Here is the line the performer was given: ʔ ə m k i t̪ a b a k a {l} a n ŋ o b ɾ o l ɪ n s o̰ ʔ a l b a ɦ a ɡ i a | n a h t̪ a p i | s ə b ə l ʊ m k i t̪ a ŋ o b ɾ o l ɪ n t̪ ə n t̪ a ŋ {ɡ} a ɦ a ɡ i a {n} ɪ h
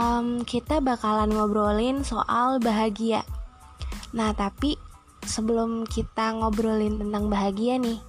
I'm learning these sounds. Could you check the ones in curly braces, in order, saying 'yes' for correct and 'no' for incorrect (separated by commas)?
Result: yes, no, yes